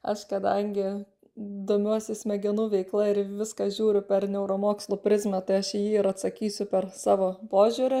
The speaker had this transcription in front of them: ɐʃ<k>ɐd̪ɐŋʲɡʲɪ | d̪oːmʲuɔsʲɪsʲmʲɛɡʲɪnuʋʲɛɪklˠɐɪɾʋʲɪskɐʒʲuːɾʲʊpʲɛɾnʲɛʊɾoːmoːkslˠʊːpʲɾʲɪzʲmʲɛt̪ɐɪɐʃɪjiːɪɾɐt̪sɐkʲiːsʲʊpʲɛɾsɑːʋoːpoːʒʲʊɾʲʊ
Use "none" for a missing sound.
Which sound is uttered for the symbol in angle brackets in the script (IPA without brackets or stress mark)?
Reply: k